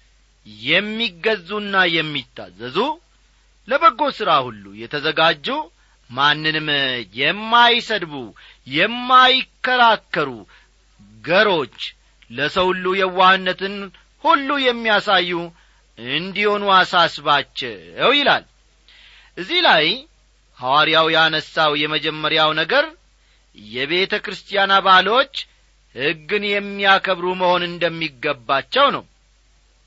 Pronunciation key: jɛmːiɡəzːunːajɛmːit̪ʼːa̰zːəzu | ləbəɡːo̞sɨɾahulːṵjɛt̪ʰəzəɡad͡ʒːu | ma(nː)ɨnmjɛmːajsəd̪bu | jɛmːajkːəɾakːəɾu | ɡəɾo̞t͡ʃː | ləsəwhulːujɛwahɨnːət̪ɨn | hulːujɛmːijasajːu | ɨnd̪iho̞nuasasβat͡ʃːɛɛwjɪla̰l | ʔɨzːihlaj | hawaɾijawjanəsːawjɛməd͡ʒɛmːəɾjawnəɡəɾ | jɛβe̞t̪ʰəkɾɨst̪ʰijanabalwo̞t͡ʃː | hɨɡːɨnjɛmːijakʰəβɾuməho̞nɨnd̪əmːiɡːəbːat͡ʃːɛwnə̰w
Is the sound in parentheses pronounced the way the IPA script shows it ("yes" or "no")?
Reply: yes